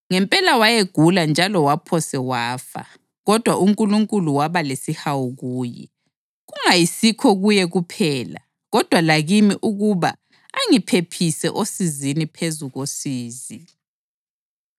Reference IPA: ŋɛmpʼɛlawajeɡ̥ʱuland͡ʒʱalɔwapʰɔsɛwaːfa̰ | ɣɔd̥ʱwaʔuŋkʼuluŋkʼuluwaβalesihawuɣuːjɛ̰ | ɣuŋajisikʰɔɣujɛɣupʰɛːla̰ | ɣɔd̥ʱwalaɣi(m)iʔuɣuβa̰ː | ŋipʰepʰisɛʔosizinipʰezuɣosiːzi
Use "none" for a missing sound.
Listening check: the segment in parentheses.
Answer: m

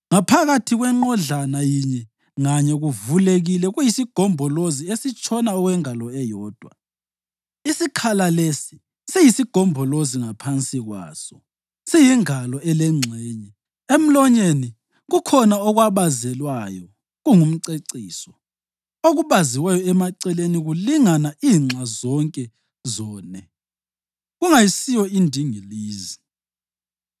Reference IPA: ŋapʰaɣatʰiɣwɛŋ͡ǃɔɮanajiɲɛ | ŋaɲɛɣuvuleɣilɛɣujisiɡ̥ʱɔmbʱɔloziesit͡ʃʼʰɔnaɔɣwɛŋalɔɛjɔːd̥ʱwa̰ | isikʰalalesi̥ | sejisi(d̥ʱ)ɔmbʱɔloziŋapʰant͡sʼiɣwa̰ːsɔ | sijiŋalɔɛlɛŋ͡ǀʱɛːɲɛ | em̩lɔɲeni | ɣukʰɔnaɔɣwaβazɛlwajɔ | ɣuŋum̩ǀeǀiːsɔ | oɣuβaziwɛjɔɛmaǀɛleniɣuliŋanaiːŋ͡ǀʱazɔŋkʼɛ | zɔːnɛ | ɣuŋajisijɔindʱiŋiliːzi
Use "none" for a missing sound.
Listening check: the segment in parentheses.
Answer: ɡ̥ʱ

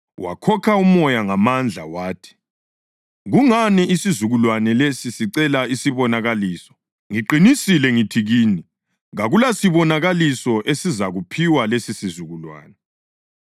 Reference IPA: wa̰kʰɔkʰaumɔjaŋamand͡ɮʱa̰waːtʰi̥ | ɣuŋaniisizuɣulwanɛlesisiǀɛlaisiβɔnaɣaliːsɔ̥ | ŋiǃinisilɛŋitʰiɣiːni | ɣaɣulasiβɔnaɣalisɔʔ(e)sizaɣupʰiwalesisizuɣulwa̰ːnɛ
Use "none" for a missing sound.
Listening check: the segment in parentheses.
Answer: e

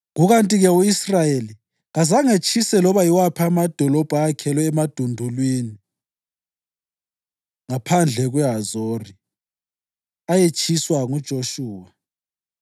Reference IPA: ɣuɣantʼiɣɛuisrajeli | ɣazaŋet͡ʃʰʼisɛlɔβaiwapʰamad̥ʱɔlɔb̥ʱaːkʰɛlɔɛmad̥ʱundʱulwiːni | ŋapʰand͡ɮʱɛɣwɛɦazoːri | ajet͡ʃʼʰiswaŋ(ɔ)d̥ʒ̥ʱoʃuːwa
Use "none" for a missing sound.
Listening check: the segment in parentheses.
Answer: u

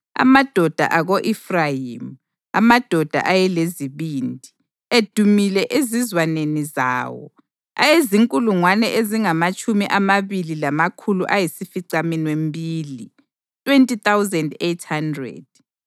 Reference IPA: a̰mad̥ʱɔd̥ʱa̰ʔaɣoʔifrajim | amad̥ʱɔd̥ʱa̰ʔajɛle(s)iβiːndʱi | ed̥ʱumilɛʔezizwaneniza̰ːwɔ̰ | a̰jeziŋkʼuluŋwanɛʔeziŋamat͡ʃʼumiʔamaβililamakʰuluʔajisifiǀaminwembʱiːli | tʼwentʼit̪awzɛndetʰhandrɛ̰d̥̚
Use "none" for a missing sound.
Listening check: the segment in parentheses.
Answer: z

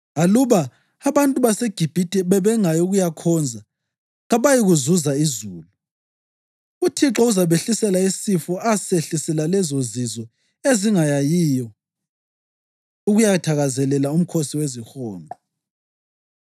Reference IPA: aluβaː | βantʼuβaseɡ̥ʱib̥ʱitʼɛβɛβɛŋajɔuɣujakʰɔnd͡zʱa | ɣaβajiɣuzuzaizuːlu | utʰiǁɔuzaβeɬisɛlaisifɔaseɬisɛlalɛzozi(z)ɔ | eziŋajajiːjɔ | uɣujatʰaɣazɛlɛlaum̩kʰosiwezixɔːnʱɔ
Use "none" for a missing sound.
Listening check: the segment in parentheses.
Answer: z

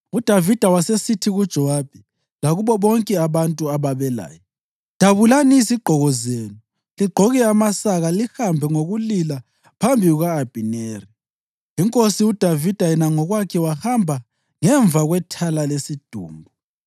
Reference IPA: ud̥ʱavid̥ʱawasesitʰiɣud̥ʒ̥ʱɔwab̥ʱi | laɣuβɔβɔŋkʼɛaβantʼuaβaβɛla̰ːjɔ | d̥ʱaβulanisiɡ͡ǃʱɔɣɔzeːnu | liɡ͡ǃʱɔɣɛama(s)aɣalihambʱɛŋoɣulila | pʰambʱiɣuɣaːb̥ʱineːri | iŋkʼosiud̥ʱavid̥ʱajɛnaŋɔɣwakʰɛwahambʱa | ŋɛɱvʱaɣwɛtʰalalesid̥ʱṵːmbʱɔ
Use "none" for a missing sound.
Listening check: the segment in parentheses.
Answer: s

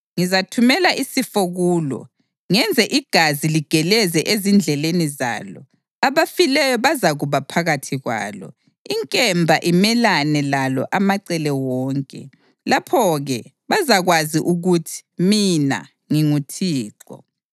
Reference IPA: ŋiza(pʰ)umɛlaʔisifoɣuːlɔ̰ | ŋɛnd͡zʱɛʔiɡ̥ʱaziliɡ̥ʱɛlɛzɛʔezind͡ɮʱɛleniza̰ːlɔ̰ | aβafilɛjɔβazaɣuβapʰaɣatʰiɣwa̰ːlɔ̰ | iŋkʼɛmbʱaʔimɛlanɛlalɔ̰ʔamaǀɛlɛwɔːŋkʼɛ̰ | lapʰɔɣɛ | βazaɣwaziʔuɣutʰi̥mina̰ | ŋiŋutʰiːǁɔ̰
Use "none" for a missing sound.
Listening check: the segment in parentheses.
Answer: tʰ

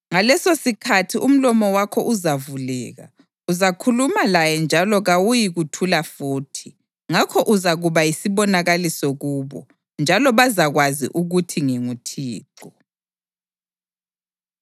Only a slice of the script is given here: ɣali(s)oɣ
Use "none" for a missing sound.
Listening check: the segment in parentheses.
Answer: s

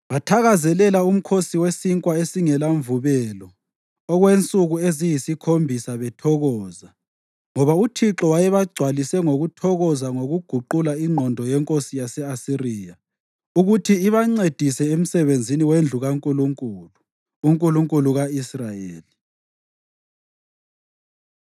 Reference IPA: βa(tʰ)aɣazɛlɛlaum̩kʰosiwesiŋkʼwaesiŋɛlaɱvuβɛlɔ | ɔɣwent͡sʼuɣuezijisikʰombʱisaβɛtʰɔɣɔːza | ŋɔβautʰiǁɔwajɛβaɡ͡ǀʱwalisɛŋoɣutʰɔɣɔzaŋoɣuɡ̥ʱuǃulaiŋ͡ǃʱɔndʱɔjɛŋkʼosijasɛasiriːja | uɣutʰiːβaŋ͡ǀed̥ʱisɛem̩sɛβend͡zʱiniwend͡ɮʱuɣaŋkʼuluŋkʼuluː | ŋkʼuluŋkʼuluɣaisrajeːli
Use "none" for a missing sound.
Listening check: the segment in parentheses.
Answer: tʰ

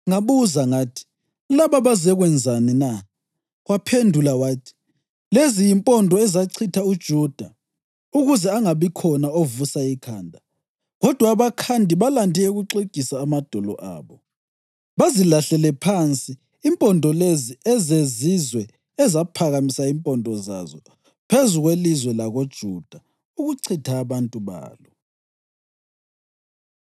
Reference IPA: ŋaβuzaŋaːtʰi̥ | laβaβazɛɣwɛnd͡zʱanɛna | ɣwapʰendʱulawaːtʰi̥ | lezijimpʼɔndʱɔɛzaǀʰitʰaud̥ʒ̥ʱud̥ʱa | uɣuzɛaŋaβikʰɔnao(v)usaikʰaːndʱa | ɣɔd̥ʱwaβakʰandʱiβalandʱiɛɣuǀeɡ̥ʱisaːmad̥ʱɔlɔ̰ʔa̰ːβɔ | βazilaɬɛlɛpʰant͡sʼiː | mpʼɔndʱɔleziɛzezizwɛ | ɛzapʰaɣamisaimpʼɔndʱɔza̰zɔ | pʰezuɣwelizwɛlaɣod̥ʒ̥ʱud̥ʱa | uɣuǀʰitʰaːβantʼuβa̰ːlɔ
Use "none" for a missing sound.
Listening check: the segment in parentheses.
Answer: v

